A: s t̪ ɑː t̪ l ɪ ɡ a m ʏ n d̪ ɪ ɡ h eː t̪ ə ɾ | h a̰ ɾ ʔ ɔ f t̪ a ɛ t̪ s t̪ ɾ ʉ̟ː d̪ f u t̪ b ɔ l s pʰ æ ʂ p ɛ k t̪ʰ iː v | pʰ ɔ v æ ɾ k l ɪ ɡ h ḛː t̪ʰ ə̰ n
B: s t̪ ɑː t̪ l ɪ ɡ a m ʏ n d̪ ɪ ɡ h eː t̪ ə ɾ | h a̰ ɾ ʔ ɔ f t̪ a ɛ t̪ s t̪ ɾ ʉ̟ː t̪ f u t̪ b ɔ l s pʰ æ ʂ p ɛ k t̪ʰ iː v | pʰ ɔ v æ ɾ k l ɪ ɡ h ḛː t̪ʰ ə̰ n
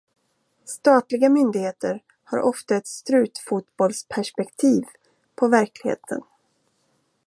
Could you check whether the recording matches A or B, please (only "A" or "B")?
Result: B